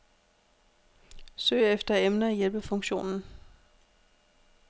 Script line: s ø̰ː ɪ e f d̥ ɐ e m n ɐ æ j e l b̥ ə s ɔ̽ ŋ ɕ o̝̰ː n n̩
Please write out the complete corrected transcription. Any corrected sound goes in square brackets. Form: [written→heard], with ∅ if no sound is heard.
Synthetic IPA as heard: s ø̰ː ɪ e f d̥ ɐ e m n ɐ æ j e l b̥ ə [s→f] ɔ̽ ŋ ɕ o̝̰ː n n̩